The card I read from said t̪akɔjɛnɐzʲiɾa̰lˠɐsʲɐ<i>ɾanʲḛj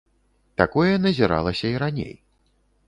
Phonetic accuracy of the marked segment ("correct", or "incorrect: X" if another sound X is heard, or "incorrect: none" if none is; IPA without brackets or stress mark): correct